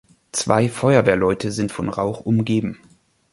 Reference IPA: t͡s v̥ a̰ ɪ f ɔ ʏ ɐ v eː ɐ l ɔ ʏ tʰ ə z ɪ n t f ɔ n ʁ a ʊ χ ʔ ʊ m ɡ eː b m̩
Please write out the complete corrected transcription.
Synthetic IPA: t͡s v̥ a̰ ɪ f ɔ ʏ ɐ v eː ɐ l ɔ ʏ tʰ ə z ɪ n t f ɔ n ʁ a ʊ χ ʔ ʊ m ɡ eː b m̩